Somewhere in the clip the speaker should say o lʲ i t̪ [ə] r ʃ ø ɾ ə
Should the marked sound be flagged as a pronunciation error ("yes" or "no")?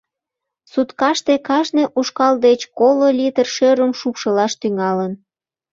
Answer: no